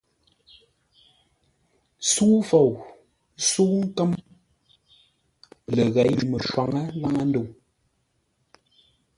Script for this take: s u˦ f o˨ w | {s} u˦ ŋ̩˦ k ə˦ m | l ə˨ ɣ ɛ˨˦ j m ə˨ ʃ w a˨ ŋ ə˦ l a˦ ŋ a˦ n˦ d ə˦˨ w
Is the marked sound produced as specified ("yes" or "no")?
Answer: yes